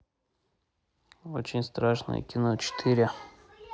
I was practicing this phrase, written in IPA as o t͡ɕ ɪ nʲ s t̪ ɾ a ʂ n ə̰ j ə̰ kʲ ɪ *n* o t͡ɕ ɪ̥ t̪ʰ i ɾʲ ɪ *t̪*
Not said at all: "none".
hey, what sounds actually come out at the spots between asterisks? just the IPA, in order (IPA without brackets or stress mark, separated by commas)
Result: n, none